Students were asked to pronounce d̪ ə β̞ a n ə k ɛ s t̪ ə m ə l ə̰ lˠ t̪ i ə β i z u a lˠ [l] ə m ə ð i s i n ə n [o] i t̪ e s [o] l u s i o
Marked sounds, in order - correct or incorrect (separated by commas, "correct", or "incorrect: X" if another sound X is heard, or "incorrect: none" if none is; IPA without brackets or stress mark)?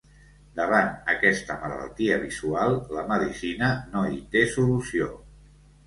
correct, correct, incorrect: u